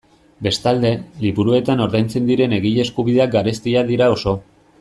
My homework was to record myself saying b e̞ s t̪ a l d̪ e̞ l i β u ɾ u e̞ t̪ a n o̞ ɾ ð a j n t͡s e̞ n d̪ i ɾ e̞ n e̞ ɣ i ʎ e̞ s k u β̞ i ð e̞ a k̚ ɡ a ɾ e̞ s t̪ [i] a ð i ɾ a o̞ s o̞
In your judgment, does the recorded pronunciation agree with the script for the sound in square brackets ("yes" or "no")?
yes